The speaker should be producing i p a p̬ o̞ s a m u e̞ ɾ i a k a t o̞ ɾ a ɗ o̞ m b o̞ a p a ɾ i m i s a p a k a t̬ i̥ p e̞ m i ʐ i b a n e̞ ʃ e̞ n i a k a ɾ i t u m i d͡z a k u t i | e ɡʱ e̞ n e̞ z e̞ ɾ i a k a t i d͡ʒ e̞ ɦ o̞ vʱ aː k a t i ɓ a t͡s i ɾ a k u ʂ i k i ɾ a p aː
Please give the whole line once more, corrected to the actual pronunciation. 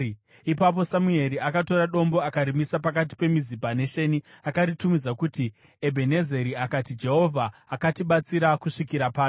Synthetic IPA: i p a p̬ o̞ s a m u e̞ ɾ i a k a t o̞ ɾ a ɗ o̞ m b o̞ a k a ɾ i m i s a p a k a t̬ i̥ p e̞ m i z i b a n e̞ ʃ e̞ n i a k a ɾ i t u m i d͡z a k u t i | e bʱ e̞ n e̞ z e̞ ɾ i a k a t i d͡ʒ e̞ ɦ o̞ vʱ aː k a t i ɓ a t͡s i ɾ a k u ʂ i k i ɾ a p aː

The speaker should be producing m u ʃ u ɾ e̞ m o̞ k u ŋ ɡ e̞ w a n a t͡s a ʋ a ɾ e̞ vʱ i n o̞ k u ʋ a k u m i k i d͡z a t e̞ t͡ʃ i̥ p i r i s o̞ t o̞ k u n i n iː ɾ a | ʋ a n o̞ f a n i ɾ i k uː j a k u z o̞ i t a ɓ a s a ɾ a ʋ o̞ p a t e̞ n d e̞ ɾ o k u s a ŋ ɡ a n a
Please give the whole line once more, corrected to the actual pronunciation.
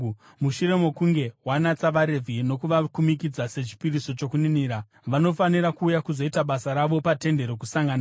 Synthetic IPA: m u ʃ u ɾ e̞ m o̞ k u ŋ ɡ e̞ w a n a t͡s a ʋ a ɾ e̞ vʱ i n o̞ k u ʋ a k u m i k i d͡z a s e̞ t͡ʃ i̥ p i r i s o̞ t͡ʃ o̞ k u n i n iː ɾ a | ʋ a n o̞ f a n i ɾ a k uː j a k u z o̞ i t a ɓ a s a ɾ a ʋ o̞ p a t e̞ n d e̞ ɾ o k u s a ŋ ɡ a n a

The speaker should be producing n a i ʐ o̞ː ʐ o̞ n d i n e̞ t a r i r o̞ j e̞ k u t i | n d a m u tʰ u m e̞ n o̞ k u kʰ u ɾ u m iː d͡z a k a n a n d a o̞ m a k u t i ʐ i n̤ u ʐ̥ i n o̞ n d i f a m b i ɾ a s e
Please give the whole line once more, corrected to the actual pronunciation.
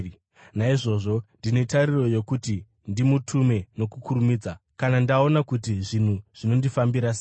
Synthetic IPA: n a i ʐ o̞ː ʐ o̞ n d i n e̞ t a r i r o̞ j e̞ k u t i | n d i m u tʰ u m e̞ n o̞ k u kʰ u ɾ u m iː d͡z a k a n a n d a o̞ n a k u t i ʐ i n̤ u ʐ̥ i n o̞ n d i f a m b i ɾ a s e

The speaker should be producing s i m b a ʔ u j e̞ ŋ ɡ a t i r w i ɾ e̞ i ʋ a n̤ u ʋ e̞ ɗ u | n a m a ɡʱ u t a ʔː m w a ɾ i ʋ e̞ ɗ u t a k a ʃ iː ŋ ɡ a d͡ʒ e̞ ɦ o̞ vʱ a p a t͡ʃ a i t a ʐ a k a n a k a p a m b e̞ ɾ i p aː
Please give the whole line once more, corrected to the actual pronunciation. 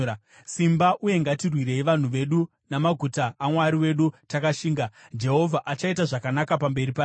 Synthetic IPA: s i m b a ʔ u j e̞ ŋ ɡ a t i r w i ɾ e̞ i ʋ a n̤ u ʋ e̞ ɗ u | n a m a ɡʱ u t a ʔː m w a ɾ i w e̞ ɗ u t a k a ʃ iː ŋ ɡ a d͡ʒ e̞ ɦ o̞ vʱ a ʔ a t͡ʃ a i t a ʐ a k a n a k a p a m b e̞ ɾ i p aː

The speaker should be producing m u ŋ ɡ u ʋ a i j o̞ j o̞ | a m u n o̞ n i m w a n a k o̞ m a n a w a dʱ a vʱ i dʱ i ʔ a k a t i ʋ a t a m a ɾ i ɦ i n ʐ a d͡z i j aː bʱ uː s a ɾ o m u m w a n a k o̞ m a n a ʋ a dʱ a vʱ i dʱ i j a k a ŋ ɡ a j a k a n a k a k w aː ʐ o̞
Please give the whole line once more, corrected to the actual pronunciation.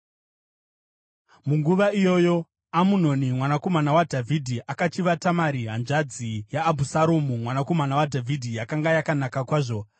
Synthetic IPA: m u ŋ ɡ u ʋ a i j o̞ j o̞ | a m u n o̞ n i m w a n a k o̞ m a n a w a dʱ a vʱ i dʱ i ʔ a k a t͡ʃ i ʋ a t a m a ɾ i ɦ a n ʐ a d͡z i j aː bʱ u s a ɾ o m u m w a n a k o̞ m a n a w a dʱ a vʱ i dʱ i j a k a ŋ ɡ a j a k a n a k a k w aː ʐ o̞

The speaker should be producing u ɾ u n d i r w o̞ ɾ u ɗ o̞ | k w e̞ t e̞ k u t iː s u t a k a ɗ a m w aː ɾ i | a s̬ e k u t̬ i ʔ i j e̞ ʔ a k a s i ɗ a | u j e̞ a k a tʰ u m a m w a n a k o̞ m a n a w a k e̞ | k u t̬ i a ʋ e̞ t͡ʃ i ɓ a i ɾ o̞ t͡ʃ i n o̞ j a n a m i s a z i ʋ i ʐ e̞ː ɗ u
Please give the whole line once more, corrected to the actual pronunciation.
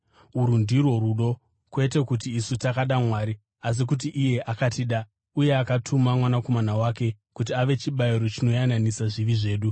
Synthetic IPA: u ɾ u n d i r w o̞ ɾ u ɗ o̞ | k w e̞ t e̞ k u t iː s u t a k a ɗ a m w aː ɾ i | a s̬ i k u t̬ i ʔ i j e̞ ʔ a k a t i ɗ a | u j e̞ a k a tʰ u m a m w a n a k o̞ m a n a w a k e̞ | k u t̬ i a ʋ e̞ t͡ʃ i ɓ a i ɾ o̞ t͡ʃ i n o̞ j a n a n i s a ʐ i ʋ i ʐ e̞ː ɗ u

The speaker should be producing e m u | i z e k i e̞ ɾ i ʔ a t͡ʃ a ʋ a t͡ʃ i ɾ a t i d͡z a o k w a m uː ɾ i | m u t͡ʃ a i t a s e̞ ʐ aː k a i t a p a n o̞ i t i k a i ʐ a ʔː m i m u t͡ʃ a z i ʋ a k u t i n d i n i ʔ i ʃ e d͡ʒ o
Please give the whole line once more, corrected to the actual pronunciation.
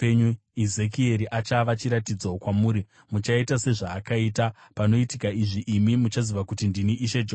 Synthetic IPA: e ɲ u | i z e k i e̞ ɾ i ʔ a t͡ʃ a ʋ a t͡ʃ i ɾ a t i d͡z a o k w a m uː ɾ i | m u t͡ʃ a i t a s e̞ ʐ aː k a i t a p a n o̞ i t i k a i ʐ i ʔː m i m u t͡ʃ a z i ʋ a k u t i n d i n i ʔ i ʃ e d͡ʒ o

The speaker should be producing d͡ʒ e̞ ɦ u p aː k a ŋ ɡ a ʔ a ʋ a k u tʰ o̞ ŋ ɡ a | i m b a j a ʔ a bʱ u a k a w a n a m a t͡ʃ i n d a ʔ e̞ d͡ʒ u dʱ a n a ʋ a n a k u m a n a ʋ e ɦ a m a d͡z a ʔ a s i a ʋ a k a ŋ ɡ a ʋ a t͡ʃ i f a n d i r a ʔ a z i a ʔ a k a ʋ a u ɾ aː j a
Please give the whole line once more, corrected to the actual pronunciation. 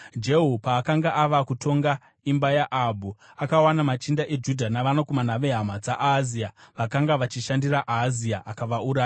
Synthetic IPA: d͡ʒ e̞ ɦ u p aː k a ŋ ɡ a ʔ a ʋ a k u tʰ o̞ ŋ ɡ a | i m b a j a ʔ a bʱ u a k a w a n a m a t͡ʃ i n d a ʔ e̞ d͡ʒ u dʱ a n a ʋ a n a k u m a n a ʋ e ɦ a m a d͡z a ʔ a z i a ʋ a k a ŋ ɡ a ʋ a t͡ʃ i ʃ a n d i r a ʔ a z i a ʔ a k a ʋ a u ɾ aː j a

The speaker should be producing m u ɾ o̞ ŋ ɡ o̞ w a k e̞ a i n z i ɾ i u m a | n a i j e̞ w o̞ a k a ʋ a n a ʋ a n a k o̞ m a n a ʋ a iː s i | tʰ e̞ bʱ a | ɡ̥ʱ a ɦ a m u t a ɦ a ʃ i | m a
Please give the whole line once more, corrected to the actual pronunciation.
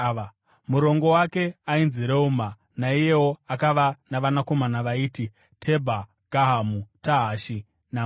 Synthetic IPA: m u ɾ o̞ ŋ ɡ o̞ w a k e̞ a i n z i ɾ e u m a | n a i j e̞ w o̞ a k a ʋ a n a ʋ a n a k o̞ m a n a ʋ a iː t i | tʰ e̞ bʱ a | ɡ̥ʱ a ɦ a m u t a ɦ a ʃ i | n a

